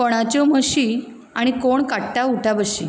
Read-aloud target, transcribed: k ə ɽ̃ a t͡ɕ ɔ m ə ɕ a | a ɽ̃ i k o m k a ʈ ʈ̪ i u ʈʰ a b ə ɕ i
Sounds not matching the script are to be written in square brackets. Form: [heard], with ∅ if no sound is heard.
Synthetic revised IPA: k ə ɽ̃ a t͡ɕ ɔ m ə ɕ [i] | a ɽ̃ i k o [ɳ] k a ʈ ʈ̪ [a] u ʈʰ a b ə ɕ i